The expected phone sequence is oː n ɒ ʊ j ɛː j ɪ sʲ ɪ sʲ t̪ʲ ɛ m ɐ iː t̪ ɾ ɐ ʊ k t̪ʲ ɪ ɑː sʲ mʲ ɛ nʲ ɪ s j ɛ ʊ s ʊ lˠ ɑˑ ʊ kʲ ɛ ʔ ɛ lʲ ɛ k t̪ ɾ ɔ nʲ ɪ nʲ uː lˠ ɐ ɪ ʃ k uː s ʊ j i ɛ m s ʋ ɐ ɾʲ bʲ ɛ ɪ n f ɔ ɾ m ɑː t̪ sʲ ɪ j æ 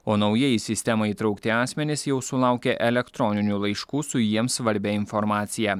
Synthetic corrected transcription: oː n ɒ ʊ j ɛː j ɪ sʲ ɪ sʲ t̪ʲ ɛ m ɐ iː t̪ ɾ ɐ ʊ k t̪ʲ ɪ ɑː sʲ mʲ ɛ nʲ ɪ s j ɛ ʊ s ʊ lˠ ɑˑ ʊ kʲ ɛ ʔ ɛ lʲ ɛ k t̪ ɾ ɔ nʲ ɪ nʲ uː lˠ ɐ ɪ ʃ k uː s ʊ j i ɛ m s ʋ ɐ ɾʲ bʲ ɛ ɪ n f ɔ ɾ m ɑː t̪ sʲ ɪ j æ